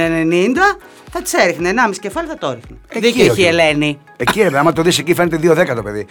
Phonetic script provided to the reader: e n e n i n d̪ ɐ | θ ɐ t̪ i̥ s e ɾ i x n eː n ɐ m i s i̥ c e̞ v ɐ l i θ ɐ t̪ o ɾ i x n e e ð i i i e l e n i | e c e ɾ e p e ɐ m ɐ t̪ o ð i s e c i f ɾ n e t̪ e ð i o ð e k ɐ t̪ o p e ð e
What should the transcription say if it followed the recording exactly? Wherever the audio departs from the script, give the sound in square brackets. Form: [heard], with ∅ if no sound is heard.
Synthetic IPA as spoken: e n e n i n d̪ ɐ | θ ɐ t̪ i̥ s e ɾ i x n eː n ɐ m i s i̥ c e̞ [f] ɐ l i θ ɐ t̪ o ɾ i x n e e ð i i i e l e n i | e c [i] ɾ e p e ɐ m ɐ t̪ o ð i s e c i f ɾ n e t̪ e ð i o ð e k ɐ t̪ o p e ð [i]